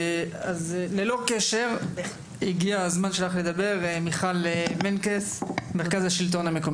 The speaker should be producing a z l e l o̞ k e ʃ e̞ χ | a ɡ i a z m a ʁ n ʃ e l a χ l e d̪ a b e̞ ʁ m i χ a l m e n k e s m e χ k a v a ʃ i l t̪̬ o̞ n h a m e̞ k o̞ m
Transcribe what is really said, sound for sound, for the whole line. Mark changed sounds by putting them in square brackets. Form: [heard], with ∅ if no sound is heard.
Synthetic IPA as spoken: a z l e l o̞ k e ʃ e̞ [ʁ] | [i] ɡ i a z m a [∅] n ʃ e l a χ l e d̪ a b e̞ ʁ m i χ a l m e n k e s m e [ʁ] k a [z] a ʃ i l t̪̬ o̞ n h a m e̞ k o̞ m